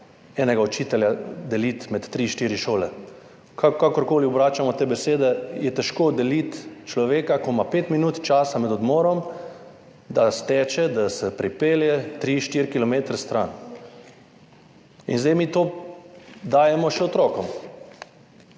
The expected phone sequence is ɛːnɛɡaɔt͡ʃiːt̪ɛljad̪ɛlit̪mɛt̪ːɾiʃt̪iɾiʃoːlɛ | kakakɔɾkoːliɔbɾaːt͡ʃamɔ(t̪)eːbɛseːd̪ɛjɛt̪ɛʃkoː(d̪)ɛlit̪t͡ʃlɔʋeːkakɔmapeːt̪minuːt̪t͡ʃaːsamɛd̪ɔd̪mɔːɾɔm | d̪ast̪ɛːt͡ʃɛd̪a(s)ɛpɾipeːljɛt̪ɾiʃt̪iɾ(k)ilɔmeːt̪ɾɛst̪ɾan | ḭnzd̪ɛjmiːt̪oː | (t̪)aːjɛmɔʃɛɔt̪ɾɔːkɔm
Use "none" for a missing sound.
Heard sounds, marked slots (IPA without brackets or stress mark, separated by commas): t̪, d̪, s, k, d̪